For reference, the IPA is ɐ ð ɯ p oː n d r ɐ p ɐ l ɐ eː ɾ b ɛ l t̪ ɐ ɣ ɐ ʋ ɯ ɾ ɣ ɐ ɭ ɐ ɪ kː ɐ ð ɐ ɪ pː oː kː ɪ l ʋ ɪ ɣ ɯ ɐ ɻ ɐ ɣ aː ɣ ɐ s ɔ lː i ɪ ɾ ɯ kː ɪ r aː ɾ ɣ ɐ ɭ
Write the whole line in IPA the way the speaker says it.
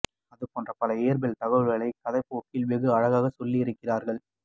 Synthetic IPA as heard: ɐ ð ɯ p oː n d r ɐ p ɐ l ɐ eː ɾ b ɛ l t̪ ɐ ɣ ɐ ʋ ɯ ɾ ɣ ɐ ɭ ɐ ɪ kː ɐ ð ɐ ɪ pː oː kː ɪ l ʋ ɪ ɣ ɯ ɐ ɻ ɐ ɣ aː ɣ ɐ s ɔ lː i ɪ ɾ ɯ kː ɪ r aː ɾ ɣ ɐ ɭ